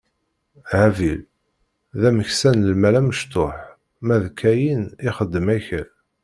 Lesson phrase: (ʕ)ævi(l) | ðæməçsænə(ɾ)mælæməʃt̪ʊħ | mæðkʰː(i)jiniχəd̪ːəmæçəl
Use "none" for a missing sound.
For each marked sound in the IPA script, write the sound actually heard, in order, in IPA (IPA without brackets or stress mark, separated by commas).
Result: ʕ, l, l, æ